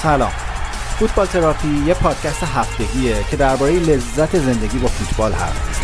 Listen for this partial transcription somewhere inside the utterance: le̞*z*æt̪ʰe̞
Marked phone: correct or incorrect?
incorrect